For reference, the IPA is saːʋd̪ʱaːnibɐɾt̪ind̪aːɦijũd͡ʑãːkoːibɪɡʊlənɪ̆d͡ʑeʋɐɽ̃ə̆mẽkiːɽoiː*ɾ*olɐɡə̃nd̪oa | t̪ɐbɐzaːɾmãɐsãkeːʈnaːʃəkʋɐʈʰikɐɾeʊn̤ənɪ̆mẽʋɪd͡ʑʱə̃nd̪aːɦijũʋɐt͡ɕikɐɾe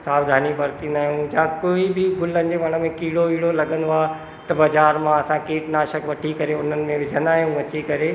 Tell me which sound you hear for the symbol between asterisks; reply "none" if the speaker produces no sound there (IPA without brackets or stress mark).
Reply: ɽ